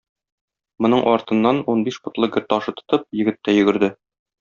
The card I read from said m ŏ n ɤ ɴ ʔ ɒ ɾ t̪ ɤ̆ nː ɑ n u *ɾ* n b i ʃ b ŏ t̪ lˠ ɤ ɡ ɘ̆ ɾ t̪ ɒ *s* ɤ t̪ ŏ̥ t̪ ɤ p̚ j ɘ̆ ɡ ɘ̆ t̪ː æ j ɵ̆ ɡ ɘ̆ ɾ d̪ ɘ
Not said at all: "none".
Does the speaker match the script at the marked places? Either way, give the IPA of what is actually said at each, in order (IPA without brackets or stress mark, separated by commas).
none, ʃ